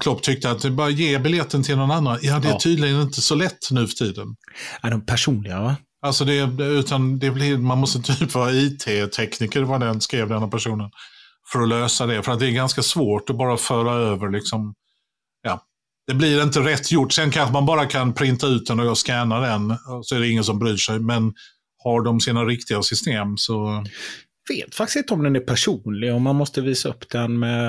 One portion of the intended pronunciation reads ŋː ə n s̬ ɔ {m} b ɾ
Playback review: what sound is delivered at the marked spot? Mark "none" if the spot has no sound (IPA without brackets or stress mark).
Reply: m